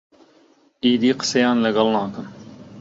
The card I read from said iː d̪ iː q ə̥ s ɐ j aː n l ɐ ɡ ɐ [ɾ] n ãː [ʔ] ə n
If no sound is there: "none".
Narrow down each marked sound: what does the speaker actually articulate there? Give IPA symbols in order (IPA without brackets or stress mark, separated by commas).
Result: l, k